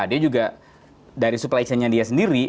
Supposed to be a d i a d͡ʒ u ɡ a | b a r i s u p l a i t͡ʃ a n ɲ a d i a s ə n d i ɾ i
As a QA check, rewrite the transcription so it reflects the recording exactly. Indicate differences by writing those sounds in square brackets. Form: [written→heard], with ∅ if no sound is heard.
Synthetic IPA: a d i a d͡ʒ u ɡ a | [b→d] a [r→ɾ] i s u p l a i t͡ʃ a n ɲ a d i a s ə n d i ɾ i

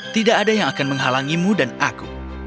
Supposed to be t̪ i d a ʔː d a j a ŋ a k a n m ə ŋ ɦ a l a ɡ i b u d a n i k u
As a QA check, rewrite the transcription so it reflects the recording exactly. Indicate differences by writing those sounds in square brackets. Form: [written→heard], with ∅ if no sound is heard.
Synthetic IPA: t̪ i d a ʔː d a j a ŋ a k a n m ə ŋ ɦ a l a [ɡ→ŋ] i [b→m] u d a n [i→a] k u

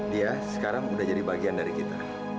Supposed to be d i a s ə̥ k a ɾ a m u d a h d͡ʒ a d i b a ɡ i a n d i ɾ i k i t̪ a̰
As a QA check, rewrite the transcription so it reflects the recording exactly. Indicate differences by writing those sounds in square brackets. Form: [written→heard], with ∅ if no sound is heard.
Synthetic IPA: d i a s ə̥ k a ɾ a [m→ŋ] u d a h d͡ʒ a d i b a ɡ i a n d [i→a] ɾ i k i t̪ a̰

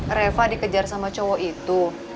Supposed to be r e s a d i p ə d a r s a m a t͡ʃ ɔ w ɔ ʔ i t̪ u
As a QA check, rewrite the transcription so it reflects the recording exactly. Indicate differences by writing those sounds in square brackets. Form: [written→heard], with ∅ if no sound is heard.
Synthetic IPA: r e [s→f] a d i [p→k] ə [d→d͡ʒ] a r s a m a t͡ʃ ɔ w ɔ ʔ i t̪ u

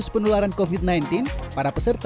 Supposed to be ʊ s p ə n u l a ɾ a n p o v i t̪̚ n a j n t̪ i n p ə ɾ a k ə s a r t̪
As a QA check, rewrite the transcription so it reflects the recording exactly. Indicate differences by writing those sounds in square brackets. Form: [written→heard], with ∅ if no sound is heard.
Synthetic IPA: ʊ s p ə n u l a ɾ a n [p→k] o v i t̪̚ n a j n t̪ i n p [ə→a] ɾ a [k→p] ə s [a→ə] r t̪

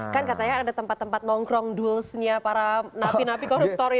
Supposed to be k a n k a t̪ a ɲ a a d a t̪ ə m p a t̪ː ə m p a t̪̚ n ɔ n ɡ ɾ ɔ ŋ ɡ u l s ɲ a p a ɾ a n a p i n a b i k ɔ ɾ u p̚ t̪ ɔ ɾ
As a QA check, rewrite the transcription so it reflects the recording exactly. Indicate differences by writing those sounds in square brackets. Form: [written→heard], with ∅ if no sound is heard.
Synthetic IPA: k a n k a t̪ a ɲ a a d a t̪ ə m p a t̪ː ə m p a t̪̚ n ɔ [n→ŋ] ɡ ɾ ɔ ŋ [ɡ→d] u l s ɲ a p a ɾ a n a p i n a [b→p] i k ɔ ɾ u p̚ t̪ ɔ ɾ

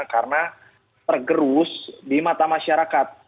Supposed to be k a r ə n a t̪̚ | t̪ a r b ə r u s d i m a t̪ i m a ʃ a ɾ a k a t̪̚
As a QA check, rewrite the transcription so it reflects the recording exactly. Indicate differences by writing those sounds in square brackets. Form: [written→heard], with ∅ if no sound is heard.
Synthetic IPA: k a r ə n a [t̪̚→∅] | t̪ [a→ə] r [b→ɡ] ə [r→ɾ] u s d i m a t̪ [i→a] m a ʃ a ɾ a k a t̪̚

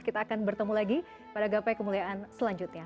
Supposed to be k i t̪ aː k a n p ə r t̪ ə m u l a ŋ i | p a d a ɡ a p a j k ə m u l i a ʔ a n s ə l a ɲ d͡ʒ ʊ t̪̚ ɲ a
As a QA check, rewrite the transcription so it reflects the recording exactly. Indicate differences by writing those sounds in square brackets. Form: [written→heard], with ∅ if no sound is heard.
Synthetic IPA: k i t̪ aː k a n [p→b] ə r t̪ ə m u l a [ŋ→ɡ] i | p a d a ɡ a p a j k ə m u l i a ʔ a n s ə l a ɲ d͡ʒ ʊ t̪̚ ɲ a

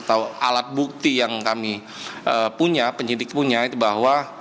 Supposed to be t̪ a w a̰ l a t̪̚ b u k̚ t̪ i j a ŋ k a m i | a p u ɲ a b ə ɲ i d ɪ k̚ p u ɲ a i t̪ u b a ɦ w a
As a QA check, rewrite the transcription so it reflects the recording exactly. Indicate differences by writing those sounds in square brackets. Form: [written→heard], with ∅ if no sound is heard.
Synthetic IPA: t̪ a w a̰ l a t̪̚ b u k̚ t̪ i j a ŋ k a m i | [a→ə] p u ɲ a [b→p] ə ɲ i d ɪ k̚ p u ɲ a i t̪ u b a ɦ w a

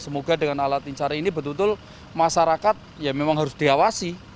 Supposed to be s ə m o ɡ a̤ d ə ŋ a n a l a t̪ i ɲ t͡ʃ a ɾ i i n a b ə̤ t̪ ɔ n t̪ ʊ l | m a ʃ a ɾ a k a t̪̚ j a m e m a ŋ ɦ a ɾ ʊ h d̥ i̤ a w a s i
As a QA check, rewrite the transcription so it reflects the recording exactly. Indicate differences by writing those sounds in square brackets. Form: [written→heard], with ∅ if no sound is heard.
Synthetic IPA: s ə m o ɡ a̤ d ə ŋ a n a l a t̪ i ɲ t͡ʃ a ɾ [i→a] i n [a→i] b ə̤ t̪ [ɔ→u] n t̪ ʊ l | m a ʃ a ɾ a k a t̪̚ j a m e m a ŋ ɦ a ɾ ʊ [h→s] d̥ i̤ a w a s i

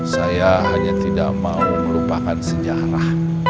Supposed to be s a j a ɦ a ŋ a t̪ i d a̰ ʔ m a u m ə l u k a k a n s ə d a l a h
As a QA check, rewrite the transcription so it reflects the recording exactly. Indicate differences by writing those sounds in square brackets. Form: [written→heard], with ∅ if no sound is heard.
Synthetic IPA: s a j a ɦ a [ŋ→ɲ] a t̪ i d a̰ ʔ m a u m ə l u [k→p] a k a n s ə [d→d͡ʒ] a [l→ɾ] a h

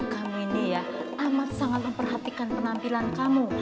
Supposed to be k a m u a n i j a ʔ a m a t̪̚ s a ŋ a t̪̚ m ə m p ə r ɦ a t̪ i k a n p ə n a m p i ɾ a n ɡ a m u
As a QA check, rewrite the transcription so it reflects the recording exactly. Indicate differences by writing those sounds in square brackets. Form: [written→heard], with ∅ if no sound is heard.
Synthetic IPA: k a m u [a→i] n i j a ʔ a m a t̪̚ s a ŋ a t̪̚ m ə m p ə r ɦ a t̪ i k a n p ə n a m p i [ɾ→l] a n [ɡ→k] a m u

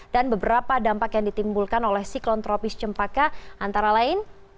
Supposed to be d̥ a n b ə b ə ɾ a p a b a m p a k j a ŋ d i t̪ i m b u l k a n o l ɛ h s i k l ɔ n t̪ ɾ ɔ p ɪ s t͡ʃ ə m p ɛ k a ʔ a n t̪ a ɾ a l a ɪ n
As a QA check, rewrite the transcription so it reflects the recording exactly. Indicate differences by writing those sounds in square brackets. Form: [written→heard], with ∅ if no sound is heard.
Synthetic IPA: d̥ a n b ə b ə ɾ a p a [b→d] a m p a k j a ŋ d i t̪ i m b u l k a n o l ɛ h s i k l ɔ n t̪ ɾ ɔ p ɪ s t͡ʃ ə m p [ɛ→a] k a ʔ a n t̪ a ɾ a l a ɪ n

